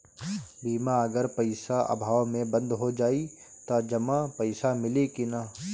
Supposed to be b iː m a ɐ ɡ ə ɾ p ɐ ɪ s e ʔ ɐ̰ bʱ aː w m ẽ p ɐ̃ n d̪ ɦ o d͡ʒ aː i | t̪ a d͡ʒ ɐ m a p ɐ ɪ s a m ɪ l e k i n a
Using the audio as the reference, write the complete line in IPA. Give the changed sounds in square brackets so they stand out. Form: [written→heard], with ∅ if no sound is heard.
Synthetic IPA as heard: b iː m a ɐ ɡ ə ɾ p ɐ ɪ s [e→a] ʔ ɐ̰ bʱ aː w m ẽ [p→b] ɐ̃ n d̪ ɦ o d͡ʒ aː i | t̪ a d͡ʒ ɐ m a p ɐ ɪ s a m ɪ l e k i n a